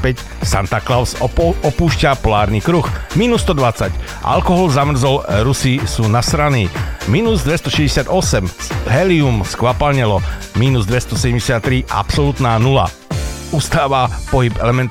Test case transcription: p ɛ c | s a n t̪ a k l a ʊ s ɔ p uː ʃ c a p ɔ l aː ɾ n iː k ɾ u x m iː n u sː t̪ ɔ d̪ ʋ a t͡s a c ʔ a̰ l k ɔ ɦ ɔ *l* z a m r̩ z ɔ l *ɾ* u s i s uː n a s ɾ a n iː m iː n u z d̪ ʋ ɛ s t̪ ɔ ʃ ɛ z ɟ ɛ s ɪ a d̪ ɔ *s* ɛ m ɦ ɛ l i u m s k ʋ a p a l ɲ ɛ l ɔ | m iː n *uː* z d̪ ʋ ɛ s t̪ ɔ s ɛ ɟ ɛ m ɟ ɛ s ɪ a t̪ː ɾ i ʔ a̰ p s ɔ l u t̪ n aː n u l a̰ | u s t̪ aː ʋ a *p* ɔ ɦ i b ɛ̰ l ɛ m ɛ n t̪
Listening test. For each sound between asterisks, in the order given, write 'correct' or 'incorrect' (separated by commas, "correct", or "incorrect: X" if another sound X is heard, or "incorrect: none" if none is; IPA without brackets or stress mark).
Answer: correct, correct, correct, incorrect: u, correct